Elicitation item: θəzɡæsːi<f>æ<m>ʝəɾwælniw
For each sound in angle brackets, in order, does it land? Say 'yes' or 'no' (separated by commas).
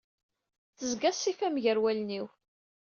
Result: yes, yes